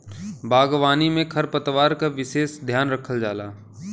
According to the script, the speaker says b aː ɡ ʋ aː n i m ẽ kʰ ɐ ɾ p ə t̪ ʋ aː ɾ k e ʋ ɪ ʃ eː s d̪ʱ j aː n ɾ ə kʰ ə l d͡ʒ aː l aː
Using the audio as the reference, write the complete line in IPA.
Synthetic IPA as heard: b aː ɡ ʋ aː n i m ẽ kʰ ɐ ɾ p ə t̪ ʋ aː ɾ k a ʋ ɪ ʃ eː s d̪ʱ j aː n ɾ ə kʰ ə l d͡ʒ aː l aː